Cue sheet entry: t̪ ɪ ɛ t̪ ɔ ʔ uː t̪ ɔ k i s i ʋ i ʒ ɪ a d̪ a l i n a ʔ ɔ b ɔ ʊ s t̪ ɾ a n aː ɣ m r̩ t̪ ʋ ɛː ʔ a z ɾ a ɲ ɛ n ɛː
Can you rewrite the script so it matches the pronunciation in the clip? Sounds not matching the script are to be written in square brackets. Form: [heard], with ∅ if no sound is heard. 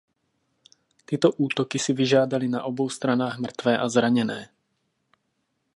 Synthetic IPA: t̪ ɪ ɛ t̪ ɔ ʔ uː t̪ ɔ k i s i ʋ i ʒ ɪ a d̪ a l i n a ʔ ɔ b ɔ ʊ s t̪ ɾ a n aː ɣ m r̩ t̪ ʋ ɛː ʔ a z ɾ a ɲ ɛ n ɛː